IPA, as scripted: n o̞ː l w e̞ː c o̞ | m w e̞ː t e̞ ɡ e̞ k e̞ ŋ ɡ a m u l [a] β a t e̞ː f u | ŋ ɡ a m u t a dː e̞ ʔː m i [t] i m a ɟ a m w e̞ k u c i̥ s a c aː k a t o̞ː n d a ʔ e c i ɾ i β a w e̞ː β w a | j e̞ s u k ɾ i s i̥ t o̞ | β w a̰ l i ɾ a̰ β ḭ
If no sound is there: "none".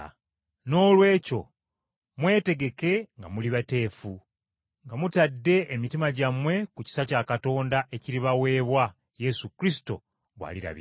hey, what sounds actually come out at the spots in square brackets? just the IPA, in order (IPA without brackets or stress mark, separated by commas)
i, t